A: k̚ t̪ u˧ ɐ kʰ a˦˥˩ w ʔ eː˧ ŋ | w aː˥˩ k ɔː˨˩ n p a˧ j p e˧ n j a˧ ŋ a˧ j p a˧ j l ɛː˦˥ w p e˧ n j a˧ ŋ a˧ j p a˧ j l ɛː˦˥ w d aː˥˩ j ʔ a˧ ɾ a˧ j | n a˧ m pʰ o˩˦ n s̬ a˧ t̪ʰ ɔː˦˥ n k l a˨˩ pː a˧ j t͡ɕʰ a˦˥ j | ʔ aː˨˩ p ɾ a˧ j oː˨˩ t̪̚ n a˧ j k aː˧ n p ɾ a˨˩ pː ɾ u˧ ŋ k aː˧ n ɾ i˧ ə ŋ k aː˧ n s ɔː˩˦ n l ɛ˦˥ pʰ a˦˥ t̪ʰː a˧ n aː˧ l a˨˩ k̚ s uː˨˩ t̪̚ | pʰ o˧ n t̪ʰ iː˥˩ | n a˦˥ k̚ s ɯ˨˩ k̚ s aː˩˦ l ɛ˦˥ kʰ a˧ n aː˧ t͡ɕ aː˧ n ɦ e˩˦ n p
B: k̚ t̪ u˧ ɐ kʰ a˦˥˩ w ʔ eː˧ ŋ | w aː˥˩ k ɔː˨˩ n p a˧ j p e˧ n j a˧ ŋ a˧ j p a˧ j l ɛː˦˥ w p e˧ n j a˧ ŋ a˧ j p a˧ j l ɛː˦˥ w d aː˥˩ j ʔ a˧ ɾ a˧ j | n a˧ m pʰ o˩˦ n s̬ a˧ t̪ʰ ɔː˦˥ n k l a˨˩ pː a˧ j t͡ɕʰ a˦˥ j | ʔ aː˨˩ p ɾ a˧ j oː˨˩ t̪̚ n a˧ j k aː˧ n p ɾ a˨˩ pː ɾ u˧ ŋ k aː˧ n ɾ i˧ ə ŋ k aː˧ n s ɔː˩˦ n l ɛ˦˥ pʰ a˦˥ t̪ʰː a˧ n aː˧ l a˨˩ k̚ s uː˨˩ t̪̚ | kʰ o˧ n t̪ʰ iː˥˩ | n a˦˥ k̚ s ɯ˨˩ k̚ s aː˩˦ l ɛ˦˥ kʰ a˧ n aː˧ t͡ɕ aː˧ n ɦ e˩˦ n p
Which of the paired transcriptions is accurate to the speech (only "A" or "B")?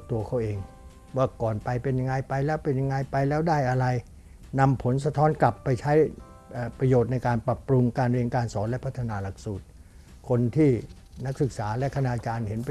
B